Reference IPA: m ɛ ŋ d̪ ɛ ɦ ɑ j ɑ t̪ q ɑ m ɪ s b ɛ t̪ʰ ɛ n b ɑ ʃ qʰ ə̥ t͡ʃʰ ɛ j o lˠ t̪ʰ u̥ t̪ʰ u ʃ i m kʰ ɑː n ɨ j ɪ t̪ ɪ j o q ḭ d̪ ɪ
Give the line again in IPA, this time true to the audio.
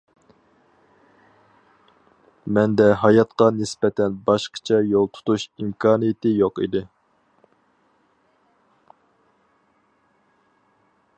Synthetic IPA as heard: m ɛ n d̪ ɛ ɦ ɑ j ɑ t̪ q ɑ n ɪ s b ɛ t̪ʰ ɛ n b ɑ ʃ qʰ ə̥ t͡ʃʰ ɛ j o lˠ t̪ʰ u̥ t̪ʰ u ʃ i m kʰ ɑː n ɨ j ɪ t̪ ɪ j o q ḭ d̪ ɪ